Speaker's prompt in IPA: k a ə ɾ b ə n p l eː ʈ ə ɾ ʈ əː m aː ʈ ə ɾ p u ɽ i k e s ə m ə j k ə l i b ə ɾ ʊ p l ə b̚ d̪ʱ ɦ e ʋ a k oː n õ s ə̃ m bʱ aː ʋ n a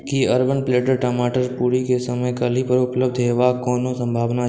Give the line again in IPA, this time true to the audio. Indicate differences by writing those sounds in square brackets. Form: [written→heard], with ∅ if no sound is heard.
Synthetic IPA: k [a→i] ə ɾ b ə n p l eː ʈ ə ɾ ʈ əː m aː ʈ ə ɾ p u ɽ i k e s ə m ə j k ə l i [b→p] ə ɾ ʊ p l ə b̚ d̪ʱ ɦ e ʋ a k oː n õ s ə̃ m bʱ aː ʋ n a